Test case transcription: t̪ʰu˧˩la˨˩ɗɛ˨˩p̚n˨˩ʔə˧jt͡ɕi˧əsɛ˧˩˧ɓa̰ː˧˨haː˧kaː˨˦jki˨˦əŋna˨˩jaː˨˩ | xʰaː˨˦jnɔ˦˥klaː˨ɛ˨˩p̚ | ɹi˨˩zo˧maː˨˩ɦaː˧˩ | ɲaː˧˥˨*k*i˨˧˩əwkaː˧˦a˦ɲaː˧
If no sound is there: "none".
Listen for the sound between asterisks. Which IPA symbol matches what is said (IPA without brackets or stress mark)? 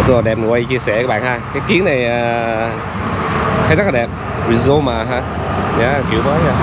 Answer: k